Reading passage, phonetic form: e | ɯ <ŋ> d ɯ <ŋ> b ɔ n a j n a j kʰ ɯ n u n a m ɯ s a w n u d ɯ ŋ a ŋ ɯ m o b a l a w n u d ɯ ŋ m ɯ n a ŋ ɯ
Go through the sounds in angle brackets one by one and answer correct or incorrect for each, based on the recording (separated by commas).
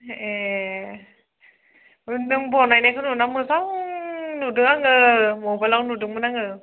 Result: incorrect, correct